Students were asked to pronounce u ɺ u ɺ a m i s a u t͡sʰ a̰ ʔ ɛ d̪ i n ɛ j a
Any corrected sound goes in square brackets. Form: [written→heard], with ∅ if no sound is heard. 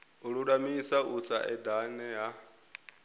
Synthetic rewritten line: u ɺ u ɺ a m i s a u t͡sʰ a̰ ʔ ɛ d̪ [i→a] n ɛ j a